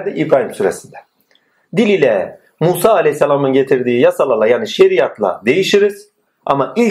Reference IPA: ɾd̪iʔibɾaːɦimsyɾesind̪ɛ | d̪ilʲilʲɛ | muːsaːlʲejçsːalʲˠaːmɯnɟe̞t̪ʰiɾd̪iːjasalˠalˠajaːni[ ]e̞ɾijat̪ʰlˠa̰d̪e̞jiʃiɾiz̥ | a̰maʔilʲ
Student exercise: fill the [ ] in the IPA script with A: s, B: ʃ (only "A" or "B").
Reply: B